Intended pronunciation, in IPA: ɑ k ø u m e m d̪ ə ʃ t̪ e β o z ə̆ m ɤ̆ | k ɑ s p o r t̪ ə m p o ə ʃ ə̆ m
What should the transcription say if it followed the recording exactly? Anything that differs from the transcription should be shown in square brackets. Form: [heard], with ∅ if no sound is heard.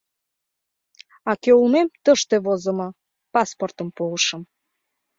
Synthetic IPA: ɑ k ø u m e m [t̪] ə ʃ t̪ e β o z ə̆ m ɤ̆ | [p] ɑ s p o r t̪ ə m p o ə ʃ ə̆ m